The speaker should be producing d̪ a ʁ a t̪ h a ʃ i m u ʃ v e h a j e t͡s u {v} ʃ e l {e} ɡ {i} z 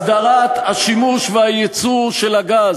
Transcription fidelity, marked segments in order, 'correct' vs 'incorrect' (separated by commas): incorrect, incorrect, incorrect